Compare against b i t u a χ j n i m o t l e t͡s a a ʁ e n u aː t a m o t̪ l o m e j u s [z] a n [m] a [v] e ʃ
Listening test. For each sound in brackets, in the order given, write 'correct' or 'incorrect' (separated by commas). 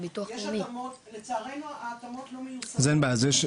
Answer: correct, incorrect, incorrect